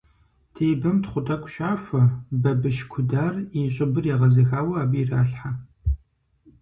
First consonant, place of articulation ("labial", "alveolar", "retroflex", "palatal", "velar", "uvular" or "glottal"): alveolar